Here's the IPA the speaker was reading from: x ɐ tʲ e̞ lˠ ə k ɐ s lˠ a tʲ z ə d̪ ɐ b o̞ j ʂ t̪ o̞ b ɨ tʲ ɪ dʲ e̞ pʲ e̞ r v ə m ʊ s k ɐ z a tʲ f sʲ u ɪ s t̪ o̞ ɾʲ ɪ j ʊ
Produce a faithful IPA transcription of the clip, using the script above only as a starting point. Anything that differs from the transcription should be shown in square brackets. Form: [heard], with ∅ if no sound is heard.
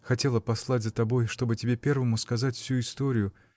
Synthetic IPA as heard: x ɐ tʲ e̞ lˠ ə [p] ɐ s lˠ a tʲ z ə [t̪] ɐ b o̞ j ʂ t̪ o̞ b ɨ tʲ ɪ [bʲ] e̞ pʲ e̞ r v ə m ʊ s k ɐ z a tʲ f sʲ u ɪ s t̪ o̞ ɾʲ ɪ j ʊ